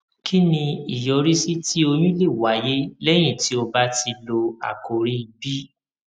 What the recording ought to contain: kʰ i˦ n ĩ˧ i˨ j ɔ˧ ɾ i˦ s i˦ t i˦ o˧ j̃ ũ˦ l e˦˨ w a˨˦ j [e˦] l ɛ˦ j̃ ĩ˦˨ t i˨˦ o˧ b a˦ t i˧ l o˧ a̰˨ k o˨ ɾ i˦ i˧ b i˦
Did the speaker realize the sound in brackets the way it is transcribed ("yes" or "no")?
yes